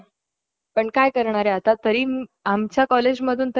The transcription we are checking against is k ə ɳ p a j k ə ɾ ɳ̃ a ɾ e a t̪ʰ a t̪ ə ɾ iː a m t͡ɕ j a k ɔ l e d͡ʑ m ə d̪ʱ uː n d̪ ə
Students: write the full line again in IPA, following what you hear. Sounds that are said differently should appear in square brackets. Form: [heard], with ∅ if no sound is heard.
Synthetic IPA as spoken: [p] ə ɳ [k] a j k ə ɾ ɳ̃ a ɾ e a [t̪] a t̪ ə ɾ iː a m t͡ɕ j a k ɔ l e d͡ʑ m ə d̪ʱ uː n [t̪] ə